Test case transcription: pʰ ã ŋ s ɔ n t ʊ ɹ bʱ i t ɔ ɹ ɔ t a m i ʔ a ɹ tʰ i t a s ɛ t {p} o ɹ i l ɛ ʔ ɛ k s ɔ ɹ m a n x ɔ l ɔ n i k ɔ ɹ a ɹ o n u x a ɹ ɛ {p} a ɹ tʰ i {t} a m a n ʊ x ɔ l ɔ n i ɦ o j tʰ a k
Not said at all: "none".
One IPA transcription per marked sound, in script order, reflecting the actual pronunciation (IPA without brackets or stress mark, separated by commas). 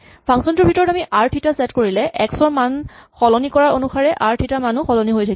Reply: k, ʔ, t